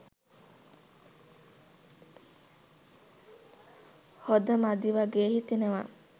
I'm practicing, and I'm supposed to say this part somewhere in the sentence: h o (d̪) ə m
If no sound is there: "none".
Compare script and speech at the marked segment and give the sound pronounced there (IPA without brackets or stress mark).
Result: d̪